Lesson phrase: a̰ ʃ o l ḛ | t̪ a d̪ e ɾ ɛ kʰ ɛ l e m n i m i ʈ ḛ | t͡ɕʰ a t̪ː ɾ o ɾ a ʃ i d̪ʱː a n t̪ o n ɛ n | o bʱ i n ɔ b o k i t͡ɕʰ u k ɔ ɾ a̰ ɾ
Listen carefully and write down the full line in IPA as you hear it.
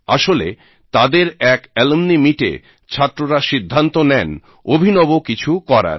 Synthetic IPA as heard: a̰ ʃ o l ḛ | t̪ a d̪ e ɾ ɛ k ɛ l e m n i m i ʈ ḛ | t͡ɕʰ a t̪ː ɾ o ɾ a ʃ i d̪ʱː a n t̪ o n ɛ n | o bʱ i n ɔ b o k i t͡ɕʰ u k ɔ ɾ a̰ ɾ